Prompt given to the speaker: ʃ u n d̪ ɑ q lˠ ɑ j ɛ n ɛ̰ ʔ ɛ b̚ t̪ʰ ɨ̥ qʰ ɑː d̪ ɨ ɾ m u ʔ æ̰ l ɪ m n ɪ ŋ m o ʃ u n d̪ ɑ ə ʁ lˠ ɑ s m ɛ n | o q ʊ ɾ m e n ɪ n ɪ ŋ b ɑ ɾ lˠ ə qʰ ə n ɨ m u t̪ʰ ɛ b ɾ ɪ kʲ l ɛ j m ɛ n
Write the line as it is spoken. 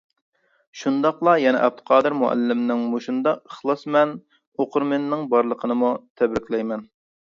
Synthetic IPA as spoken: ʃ u n d̪ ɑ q lˠ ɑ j ɛ n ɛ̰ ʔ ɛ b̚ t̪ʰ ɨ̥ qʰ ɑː d̪ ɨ ɾ m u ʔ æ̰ lː ɪ m n ɪ ŋ m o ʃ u n d̪ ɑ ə χ lˠ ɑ s m ɛ n | o q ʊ ɾ m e n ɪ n ɪ ŋ b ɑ ɾ lˠ ə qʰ ə n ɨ m u t̪ʰ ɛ b ɾ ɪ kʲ l ɛ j m ɛ n

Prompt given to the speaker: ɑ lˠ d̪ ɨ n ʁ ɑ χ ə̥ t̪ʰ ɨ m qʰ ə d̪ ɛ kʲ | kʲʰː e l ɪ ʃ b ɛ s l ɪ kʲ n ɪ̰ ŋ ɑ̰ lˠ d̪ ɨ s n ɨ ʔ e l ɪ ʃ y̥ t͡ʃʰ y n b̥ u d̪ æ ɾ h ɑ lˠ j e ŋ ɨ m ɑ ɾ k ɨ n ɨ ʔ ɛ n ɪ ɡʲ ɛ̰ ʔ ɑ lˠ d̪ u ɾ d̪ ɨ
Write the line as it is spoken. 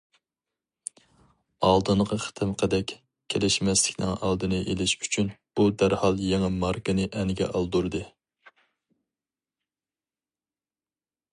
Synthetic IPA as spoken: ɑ lˠ d̪ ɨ n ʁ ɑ χ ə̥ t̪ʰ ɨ m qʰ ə d̪ ɛ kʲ | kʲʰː e l ɪ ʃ m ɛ s l ɪ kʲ n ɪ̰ ŋ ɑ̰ lˠ d̪ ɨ n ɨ ʔ e l ɪ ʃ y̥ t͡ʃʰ y n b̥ u d̪ æ ɾ h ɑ lˠ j e ŋ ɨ m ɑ ɾ k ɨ n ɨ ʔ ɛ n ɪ ɡʲ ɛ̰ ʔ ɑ lˠ d̪ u ɾ d̪ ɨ

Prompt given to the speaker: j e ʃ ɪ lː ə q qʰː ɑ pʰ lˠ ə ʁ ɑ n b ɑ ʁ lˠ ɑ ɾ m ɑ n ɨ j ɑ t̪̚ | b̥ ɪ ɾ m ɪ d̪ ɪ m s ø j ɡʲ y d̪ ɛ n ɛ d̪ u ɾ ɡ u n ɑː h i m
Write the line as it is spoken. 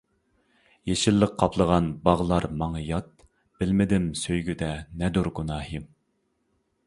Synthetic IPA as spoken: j e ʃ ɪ lː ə q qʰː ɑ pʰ lˠ ə ʁ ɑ n b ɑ ʁ lˠ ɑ ɾ m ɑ ŋ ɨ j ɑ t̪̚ | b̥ ɪ l m ɪ d̪ ɪ m s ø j ɡʲ y d̪ ɛ n ɛ d̪ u ɾ ɡ u n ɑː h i m

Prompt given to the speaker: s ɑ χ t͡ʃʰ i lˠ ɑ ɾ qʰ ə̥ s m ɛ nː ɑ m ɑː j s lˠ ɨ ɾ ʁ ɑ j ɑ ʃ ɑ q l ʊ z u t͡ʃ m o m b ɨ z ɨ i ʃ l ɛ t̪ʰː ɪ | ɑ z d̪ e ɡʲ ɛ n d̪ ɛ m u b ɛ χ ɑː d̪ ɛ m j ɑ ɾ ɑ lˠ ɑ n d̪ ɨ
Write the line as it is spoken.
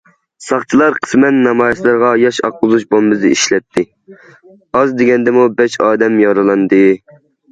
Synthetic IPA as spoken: s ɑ χ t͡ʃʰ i lˠ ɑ ɾ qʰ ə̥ s m ɛ nː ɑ m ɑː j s lˠ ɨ ɾ ʁ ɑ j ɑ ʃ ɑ q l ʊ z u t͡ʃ b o m b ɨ z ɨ i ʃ l ɛ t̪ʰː ɪ | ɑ z d̪ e ɡʲ ɛ n d̪ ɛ m u b ɛ ʃ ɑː d̪ ɛ m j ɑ ɾ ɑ lˠ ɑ n d̪ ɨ

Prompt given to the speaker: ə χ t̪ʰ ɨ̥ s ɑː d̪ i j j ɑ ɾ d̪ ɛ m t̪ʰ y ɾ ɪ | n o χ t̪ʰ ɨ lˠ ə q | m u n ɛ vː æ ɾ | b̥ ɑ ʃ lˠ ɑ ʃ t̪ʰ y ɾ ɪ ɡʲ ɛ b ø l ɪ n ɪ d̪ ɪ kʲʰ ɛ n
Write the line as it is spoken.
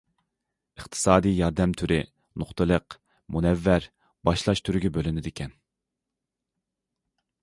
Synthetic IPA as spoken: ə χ t̪ʰ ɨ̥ s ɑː d̪ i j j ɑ ɾ d̪ ɛ m t̪ʰ y ɾ ɪ | n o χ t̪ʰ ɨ lˠ ə q | m u n ɛ vː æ ɾ | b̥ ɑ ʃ lˠ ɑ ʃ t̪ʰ y ɾ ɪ ɡʲ ɛ b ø l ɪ n ɪ d̪ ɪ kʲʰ ɛ n

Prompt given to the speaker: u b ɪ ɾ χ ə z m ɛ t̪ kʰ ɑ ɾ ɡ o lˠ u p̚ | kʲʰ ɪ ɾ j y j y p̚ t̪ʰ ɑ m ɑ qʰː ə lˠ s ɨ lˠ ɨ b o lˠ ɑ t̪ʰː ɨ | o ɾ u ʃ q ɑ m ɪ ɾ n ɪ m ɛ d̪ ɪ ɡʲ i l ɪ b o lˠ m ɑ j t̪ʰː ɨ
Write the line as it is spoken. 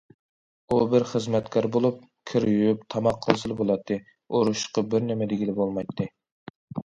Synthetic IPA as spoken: u b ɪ ɾ χ ə z m ɛ t̪ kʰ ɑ ɾ b o lˠ u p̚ | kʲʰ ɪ ɾ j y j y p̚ t̪ʰ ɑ m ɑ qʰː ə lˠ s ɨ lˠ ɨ b o lˠ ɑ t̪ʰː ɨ | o ɾ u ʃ q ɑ b ɪ ɾ n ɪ m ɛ d̪ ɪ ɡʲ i l ɪ b o lˠ m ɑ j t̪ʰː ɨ

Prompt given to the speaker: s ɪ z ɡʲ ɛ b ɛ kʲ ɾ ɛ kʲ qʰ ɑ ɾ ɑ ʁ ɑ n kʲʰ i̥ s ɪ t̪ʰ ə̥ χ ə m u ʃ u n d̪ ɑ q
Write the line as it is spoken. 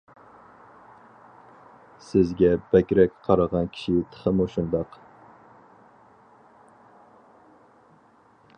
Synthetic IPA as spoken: s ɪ z ɡʲ ɛ b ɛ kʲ ɾ ɛ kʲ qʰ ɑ ɾ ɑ ʁ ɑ n kʲʰ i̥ ʃ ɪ t̪ʰ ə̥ χ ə m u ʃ u n d̪ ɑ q

